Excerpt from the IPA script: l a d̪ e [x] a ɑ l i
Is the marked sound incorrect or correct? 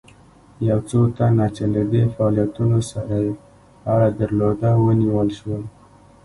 incorrect